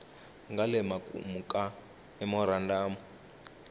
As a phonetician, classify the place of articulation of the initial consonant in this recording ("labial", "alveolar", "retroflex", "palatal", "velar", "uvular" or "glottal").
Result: velar